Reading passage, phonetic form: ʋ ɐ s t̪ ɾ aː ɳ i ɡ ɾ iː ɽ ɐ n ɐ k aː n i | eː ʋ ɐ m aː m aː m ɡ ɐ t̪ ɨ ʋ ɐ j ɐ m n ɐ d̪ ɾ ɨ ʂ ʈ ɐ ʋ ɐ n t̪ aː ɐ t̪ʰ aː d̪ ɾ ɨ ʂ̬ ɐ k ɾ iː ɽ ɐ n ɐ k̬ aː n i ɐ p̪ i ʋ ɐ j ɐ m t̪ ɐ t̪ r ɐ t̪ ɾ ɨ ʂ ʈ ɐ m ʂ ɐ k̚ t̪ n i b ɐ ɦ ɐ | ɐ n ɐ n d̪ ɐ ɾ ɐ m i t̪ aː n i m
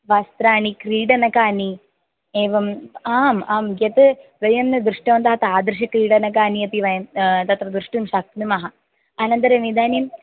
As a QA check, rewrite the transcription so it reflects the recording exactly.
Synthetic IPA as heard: ʋ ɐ s t̪ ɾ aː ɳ i k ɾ iː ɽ ɐ n ɐ k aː n i | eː ʋ ɐ m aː m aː m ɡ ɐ t̪ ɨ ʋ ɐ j ɐ m n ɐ d̪ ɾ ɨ ʂ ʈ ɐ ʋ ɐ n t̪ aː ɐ t̪ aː d̪ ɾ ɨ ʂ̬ ɐ k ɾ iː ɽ ɐ n ɐ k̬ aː n i ɐ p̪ i ʋ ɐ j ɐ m t̪ ɐ t̪ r ɐ d̪ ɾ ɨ ʂ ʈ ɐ m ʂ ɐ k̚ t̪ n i m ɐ ɦ ɐ | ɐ n ɐ n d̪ ɐ ɾ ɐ m i d̪ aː n i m